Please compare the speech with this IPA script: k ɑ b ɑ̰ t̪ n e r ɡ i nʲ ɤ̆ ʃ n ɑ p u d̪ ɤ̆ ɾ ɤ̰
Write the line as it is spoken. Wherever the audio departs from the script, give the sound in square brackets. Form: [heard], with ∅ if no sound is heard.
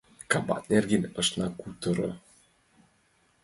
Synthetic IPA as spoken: k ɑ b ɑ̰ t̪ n e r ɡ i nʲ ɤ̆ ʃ n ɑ [k] u [t̪] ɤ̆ ɾ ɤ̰